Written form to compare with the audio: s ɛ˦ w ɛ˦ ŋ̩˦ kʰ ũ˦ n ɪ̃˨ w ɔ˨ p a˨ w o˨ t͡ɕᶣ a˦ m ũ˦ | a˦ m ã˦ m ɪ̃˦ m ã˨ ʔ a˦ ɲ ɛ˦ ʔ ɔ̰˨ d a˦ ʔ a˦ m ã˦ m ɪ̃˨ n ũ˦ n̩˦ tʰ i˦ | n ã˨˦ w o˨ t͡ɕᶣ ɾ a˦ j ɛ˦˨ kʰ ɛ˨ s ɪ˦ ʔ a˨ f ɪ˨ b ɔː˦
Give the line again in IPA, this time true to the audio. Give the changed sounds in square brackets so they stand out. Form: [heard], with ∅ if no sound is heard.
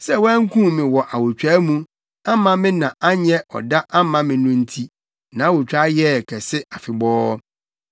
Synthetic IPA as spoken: s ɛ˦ w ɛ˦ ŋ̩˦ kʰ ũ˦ [m] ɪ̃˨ w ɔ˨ [ʔ] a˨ w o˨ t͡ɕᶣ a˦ m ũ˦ | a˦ m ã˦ m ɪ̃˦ [n] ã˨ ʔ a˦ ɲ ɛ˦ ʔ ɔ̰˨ d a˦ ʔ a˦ m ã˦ m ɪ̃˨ n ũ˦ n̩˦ tʰ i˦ | n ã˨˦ w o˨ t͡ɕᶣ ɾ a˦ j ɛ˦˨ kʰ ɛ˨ s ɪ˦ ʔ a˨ f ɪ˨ b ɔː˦